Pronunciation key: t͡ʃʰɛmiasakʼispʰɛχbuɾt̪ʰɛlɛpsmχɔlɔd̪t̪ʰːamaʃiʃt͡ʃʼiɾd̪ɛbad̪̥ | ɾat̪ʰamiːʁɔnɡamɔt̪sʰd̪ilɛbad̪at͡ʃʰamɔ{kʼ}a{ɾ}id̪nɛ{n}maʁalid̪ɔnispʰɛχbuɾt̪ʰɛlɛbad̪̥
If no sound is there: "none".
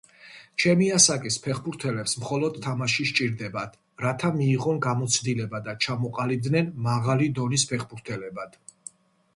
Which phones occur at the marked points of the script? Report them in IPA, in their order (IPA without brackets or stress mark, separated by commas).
qʼ, l, n